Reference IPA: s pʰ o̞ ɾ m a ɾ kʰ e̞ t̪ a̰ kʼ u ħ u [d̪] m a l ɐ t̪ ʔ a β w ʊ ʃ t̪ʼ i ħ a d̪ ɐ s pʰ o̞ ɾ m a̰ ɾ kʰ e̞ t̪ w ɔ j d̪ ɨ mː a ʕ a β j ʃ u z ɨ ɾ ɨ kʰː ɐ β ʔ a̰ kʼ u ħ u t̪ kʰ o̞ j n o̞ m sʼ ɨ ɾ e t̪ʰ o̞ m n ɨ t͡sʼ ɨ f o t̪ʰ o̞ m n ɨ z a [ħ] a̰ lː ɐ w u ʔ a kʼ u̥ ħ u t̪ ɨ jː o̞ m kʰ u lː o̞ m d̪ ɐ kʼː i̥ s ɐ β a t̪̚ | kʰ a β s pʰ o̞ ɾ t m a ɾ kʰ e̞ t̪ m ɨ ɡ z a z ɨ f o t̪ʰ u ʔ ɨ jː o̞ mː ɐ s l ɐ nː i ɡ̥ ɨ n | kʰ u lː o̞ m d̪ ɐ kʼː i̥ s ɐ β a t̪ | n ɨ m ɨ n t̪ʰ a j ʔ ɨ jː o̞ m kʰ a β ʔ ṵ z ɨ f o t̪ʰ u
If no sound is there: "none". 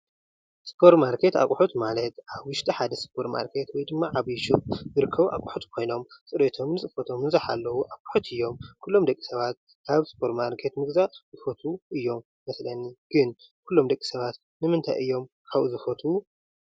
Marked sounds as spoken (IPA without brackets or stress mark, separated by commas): t̪, ħ